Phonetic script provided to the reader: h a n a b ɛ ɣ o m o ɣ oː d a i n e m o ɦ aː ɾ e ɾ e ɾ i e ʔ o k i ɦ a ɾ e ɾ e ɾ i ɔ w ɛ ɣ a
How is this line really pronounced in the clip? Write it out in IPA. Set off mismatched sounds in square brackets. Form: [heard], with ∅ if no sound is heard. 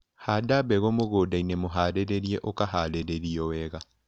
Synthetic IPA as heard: h a [d] a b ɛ ɣ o m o ɣ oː d a i n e m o ɦ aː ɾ e ɾ e ɾ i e ʔ o k [a] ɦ a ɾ e ɾ e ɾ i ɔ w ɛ ɣ a